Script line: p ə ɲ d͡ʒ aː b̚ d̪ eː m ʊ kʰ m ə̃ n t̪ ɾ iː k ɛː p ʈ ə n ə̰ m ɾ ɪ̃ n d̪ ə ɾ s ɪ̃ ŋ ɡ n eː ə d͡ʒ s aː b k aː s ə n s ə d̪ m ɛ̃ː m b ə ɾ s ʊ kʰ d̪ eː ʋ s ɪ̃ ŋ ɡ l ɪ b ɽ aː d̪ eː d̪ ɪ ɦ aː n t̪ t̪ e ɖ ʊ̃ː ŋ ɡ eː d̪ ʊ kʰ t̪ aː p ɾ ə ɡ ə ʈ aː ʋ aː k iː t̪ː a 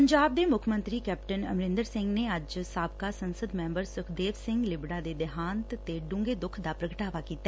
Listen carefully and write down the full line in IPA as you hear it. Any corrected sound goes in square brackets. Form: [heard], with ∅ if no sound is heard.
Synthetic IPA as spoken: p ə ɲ d͡ʒ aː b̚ d̪ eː m ʊ kʰ m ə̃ n t̪ ɾ iː k ɛː p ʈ ə n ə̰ m ɾ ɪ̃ n d̪ ə ɾ s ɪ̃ ŋ ɡ n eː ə d͡ʒ s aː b k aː s ə n s ə d̪ m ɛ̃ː m b ə ɾ s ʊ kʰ d̪ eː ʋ s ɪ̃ ŋ ɡ l ɪ b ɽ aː d̪ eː d̪ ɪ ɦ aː n t̪ t̪ e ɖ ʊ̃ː ŋ ɡ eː d̪ ʊ kʰ [d̪] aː p ɾ ə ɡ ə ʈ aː ʋ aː k iː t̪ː a